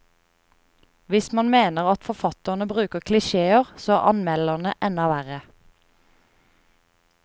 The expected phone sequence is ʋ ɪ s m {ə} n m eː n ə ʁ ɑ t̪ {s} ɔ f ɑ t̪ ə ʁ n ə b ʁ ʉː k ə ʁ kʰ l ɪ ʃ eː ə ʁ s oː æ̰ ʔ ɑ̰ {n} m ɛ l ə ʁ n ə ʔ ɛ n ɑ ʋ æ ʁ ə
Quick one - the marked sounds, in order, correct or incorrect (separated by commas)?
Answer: incorrect, incorrect, correct